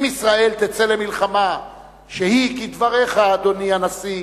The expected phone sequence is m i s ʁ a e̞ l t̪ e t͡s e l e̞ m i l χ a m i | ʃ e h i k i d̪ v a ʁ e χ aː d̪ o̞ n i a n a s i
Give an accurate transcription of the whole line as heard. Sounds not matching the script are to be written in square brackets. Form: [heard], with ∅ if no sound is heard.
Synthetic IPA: m i s ʁ a e̞ l t̪ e t͡s e l e̞ m i l χ a m [a] | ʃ e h i k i d̪ v a ʁ e χ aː d̪ o̞ n i a n a s i